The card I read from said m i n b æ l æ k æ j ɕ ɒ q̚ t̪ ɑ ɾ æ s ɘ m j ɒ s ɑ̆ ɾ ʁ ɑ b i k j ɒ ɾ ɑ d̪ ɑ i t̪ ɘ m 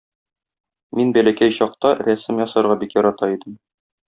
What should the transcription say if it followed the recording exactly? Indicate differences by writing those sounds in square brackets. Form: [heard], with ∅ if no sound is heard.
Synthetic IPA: m i n b æ l æ k æ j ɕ ɒ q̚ t̪ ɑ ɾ æ s ɘ m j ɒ s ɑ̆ ɾ ʁ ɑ b i k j ɒ ɾ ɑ [t̪] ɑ i [d̪] ɘ m

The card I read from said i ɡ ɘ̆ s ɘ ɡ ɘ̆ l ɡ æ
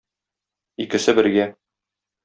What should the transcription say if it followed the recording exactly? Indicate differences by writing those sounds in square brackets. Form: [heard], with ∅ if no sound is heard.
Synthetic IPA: i [k] ɘ̆ s ɘ [b] ɘ̆ [ɾ] ɡ æ

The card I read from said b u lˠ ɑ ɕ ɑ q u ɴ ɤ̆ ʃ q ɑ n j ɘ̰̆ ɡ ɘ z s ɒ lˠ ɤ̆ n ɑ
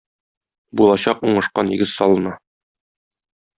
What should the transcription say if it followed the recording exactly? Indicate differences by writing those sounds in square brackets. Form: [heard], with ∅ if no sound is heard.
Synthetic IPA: b u lˠ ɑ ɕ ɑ q u ɴ ɤ̆ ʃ q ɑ n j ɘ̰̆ ɡ ɘ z s ɒ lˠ ɤ̆ n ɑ

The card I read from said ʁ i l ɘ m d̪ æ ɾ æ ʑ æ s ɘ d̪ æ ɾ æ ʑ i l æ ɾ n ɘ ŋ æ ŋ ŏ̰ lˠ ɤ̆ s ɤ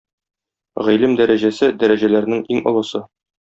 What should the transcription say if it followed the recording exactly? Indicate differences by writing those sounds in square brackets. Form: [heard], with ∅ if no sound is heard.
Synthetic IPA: ʁ i l ɘ m d̪ æ ɾ æ ʑ æ s ɘ d̪ æ ɾ æ ʑ [æ] l æ ɾ n ɘ ŋ [i] ŋ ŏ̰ lˠ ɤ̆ s ɤ

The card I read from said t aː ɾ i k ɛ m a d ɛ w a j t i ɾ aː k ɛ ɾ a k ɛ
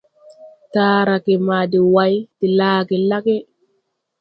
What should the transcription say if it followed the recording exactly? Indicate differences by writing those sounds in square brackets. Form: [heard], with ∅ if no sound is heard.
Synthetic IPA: t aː ɾ [a] k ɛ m a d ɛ w a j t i [l] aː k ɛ [l] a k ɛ

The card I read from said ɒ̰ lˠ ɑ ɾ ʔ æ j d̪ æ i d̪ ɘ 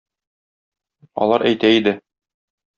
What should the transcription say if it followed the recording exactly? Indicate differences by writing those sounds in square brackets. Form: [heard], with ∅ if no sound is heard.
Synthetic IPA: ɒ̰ lˠ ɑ ɾ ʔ æ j [t̪] æ i d̪ ɘ

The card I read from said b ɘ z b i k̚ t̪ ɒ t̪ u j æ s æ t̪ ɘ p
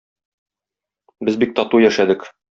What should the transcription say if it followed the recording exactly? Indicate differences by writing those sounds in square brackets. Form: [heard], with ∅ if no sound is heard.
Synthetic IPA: b ɘ z b i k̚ t̪ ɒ t̪ u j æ [ʃ] æ [d̪] ɘ [k]

